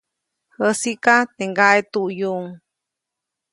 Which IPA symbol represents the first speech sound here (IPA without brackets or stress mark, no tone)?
h